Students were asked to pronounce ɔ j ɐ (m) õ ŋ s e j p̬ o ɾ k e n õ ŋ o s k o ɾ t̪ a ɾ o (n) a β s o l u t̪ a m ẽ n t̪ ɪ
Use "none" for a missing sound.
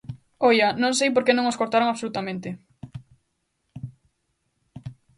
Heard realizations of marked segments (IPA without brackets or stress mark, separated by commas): n, ŋ